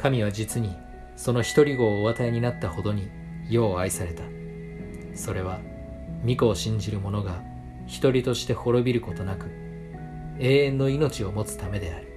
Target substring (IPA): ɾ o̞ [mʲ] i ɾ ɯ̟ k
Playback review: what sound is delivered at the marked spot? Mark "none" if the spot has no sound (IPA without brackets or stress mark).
bʲ